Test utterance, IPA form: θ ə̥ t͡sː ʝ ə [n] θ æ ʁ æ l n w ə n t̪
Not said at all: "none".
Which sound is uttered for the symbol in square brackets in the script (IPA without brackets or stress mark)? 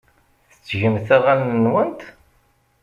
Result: m